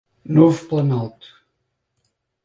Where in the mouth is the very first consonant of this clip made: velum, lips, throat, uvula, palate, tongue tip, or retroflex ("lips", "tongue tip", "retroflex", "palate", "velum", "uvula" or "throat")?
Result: tongue tip